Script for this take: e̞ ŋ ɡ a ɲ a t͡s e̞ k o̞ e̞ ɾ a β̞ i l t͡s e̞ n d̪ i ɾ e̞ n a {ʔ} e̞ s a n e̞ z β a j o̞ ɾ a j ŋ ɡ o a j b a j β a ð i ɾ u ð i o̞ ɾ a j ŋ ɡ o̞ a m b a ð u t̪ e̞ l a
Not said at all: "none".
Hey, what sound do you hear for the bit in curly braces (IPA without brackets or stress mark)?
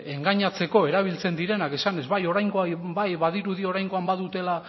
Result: k